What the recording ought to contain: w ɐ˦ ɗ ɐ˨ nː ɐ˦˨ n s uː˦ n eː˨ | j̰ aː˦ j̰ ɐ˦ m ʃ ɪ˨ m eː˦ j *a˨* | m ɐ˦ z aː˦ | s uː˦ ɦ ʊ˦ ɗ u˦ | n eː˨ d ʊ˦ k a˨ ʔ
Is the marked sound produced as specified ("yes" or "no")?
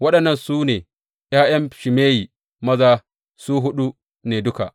no